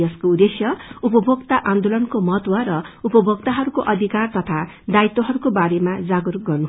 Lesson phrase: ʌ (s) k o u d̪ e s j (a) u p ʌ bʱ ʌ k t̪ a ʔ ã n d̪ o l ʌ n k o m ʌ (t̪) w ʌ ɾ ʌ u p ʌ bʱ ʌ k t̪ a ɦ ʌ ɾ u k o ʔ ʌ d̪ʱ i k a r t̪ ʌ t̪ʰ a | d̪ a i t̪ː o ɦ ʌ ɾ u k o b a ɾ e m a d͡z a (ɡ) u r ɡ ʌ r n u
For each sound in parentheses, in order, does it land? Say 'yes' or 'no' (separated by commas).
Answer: yes, no, yes, yes